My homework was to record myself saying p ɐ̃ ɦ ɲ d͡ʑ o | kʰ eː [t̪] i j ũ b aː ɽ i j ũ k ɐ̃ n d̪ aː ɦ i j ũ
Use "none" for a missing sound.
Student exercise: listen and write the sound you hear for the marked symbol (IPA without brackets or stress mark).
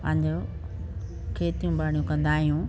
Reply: t̪